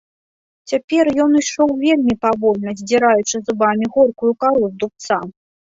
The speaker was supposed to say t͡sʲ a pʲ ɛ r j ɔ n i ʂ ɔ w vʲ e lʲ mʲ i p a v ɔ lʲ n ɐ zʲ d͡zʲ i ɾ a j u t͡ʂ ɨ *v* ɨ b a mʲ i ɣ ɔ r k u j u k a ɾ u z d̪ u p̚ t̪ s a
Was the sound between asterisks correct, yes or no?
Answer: no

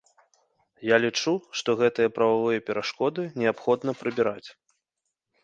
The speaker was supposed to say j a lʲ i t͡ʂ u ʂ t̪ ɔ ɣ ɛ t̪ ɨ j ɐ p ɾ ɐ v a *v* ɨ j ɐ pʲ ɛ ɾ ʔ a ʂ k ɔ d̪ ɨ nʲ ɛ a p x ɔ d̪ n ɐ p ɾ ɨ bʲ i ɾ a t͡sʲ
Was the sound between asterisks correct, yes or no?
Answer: yes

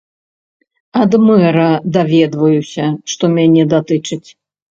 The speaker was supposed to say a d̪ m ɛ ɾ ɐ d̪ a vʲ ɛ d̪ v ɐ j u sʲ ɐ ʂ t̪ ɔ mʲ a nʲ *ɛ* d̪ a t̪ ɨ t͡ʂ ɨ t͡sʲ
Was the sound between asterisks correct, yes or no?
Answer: yes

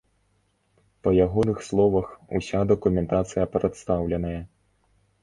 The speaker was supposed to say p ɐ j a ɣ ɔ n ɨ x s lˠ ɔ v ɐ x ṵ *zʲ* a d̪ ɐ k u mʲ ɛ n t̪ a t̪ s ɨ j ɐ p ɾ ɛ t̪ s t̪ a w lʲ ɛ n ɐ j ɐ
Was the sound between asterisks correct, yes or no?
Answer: no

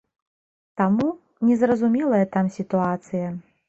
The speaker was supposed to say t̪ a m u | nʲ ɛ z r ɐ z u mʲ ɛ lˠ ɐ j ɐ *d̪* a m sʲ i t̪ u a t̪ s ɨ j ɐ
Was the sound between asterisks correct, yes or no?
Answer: no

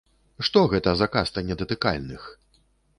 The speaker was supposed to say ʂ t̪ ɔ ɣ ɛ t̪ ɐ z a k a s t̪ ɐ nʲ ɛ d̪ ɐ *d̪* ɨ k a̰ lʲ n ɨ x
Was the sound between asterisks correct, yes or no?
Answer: no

